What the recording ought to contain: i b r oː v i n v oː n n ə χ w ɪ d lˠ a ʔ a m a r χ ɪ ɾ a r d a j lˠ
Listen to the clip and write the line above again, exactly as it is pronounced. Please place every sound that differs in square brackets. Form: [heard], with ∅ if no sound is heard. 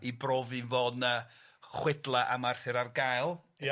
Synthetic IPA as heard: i b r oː v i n v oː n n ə χ w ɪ d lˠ a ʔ a m a r [θ] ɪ ɾ a r [ɡ] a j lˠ